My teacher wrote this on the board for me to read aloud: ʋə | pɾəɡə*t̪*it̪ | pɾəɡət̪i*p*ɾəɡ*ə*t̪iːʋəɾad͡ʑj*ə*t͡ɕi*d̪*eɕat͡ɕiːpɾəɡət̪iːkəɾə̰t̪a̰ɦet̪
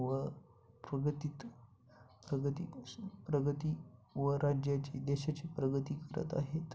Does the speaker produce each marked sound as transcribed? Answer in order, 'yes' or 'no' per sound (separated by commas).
yes, yes, yes, no, yes